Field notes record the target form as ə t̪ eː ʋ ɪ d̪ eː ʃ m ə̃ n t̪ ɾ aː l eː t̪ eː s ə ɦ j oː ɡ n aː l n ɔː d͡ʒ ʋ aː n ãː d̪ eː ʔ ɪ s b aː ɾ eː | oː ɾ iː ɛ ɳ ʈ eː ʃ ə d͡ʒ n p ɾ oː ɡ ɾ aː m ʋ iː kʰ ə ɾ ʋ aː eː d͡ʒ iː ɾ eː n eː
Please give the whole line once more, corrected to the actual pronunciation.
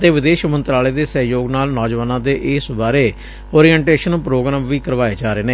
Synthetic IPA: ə t̪ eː ʋ ɪ d̪ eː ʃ m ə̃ n t̪ ɾ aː l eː d̪ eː s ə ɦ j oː ɡ n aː l n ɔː d͡ʒ ʋ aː n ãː d̪ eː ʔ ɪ s b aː ɾ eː | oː ɾ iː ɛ ɳ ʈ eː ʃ ə n p ɾ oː ɡ ɾ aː m ʋ iː k ə ɾ ʋ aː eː d͡ʒ aː ɾ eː n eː

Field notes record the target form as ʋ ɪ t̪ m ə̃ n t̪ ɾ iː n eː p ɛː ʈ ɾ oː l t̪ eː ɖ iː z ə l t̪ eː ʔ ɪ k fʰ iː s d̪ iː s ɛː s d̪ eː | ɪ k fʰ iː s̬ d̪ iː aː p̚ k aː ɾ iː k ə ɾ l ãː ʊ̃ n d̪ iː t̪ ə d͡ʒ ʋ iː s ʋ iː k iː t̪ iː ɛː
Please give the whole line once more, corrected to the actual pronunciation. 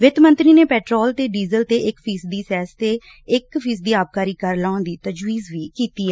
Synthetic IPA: ʋ ɪ t̪ m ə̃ n t̪ ɾ iː n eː p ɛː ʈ ɾ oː l t̪ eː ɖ iː z ə l t̪ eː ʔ ɪ k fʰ iː s d̪ iː s ɛː s t̪ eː | ɪ k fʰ iː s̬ d̪ iː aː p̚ k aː ɾ iː k ə ɾ l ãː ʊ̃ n d̪ iː t̪ ə d͡ʒ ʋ iː z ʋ iː k iː t̪ iː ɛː

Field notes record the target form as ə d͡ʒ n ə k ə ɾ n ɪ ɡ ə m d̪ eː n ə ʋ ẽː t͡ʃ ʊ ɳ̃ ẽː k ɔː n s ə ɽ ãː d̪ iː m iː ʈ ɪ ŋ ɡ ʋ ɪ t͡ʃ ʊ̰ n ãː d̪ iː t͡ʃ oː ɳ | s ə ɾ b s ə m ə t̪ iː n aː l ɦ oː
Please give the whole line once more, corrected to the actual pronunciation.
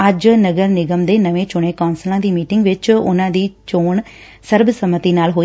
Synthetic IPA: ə d͡ʒ n ə ɡ ə ɾ n ɪ ɡ ə m d̪ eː n ə ʋ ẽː t͡ʃ ʊ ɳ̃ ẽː k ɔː n s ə l ãː d̪ iː m iː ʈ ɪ ŋ ɡ ʋ ɪ t͡ʃ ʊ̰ n ãː d̪ iː t͡ʃ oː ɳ | s ə ɾ b s ə m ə t̪ iː n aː l ɦ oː

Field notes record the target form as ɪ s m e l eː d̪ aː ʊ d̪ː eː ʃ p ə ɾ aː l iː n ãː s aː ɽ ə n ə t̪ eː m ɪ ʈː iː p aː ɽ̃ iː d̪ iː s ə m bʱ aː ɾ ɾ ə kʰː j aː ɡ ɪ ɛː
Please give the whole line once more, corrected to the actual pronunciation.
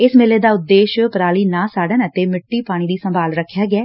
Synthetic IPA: ɪ s m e l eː d̪ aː ʊ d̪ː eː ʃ p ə ɾ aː l iː n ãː s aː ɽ ə n ə t̪ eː m ɪ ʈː iː p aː ɽ̃ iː d̪ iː s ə m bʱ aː l ɾ ə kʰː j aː ɡ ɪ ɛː

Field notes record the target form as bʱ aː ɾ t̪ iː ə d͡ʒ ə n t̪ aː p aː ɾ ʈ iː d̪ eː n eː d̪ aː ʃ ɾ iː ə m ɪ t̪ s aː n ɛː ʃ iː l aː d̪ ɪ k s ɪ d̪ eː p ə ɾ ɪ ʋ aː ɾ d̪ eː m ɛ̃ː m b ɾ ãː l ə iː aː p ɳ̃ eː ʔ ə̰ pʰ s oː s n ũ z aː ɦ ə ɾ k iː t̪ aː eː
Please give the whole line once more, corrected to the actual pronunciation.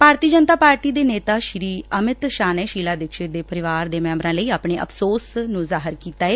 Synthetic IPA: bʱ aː ɾ t̪ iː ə d͡ʒ ə n t̪ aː p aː ɾ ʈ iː d̪ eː n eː t̪ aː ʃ ɾ iː ə m ɪ t̪ ʃ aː n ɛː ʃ iː l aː d̪ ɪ k ʃ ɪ d̪ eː p ə ɾ ɪ ʋ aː ɾ d̪ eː m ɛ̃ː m b ɾ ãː l ə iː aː p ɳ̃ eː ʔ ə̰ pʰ s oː s n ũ z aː ɦ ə ɾ k iː t̪ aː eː

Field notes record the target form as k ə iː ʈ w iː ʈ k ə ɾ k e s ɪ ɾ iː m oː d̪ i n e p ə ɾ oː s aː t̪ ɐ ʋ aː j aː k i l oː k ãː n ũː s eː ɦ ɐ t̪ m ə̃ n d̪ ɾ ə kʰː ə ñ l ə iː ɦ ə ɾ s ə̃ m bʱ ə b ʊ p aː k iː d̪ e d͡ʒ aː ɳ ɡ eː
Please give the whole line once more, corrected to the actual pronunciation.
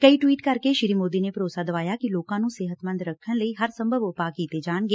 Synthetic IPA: k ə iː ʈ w iː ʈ k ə ɾ k e ʃ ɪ ɾ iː m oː d̪ i n e p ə ɾ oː s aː d̪ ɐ ʋ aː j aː k i l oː k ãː n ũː s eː ɦ ə t̪ m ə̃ n d̪ ɾ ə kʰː ə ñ l ə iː ɦ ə ɾ s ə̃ m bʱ ə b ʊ p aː k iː t̪ e d͡ʒ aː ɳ ɡ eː

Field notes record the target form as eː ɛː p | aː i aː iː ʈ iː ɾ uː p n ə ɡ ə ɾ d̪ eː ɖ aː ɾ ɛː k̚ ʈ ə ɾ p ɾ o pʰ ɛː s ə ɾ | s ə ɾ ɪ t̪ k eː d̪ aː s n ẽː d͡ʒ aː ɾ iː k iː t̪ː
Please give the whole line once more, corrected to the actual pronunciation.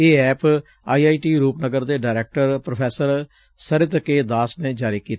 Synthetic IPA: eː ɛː p | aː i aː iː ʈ iː ɾ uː p n ə ɡ ə ɾ d̪ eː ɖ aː ɾ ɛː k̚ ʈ ə ɾ p ɾ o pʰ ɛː s ə ɾ | s ə ɾ ɪ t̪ k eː d̪ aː s n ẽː d͡ʒ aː ɾ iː k iː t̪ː

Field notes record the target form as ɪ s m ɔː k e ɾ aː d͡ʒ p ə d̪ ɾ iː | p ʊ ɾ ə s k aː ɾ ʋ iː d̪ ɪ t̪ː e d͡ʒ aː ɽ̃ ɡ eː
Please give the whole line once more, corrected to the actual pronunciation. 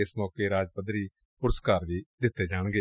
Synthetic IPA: ɪ s m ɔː k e ɾ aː d͡ʒ p ə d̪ ɾ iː | p ʊ ɾ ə s k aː ɾ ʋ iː d̪ ɪ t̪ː e d͡ʒ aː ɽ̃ ɡ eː

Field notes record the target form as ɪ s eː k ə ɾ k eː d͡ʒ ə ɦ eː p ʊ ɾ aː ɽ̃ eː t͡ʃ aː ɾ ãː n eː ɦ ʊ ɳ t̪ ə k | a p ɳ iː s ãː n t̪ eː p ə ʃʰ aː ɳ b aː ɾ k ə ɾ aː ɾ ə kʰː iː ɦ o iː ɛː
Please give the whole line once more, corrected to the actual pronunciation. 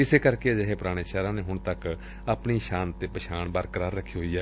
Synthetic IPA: ɪ s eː k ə ɾ k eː d͡ʒ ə ɦ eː p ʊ ɾ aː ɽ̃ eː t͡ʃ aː ɾ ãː n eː ɦ ʊ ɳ t̪ ə k | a p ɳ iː ʃ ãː n t̪ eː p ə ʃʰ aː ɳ b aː ɾ k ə ɾ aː ɾ ə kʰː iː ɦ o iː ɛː

